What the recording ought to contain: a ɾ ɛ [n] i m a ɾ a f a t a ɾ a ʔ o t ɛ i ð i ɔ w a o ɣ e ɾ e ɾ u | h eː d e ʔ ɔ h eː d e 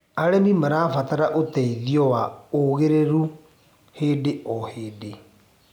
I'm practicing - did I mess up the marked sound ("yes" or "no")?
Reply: no